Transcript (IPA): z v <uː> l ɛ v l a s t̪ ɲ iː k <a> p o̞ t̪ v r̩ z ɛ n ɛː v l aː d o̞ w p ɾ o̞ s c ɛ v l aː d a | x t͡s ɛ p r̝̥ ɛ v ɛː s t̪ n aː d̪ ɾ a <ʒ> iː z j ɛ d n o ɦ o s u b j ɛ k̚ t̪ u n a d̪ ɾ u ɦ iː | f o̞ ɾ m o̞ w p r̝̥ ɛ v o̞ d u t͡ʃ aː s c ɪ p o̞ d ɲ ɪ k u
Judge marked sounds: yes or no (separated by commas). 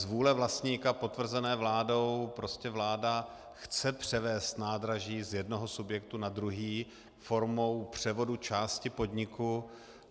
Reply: yes, yes, yes